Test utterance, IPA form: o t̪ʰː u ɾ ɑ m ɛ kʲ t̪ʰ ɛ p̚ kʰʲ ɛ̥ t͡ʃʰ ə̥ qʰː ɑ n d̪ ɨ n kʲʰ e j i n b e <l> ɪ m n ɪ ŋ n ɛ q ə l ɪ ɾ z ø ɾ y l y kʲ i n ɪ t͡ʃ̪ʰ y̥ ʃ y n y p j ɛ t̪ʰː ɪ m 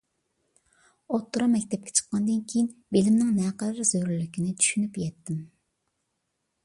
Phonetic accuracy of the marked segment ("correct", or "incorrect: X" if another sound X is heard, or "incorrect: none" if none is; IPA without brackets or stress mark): correct